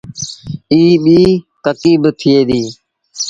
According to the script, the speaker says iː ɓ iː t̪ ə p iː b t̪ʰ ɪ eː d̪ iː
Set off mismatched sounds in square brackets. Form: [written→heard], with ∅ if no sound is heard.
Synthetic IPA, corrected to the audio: iː ɓ iː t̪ ə [p→k] iː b t̪ʰ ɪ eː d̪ iː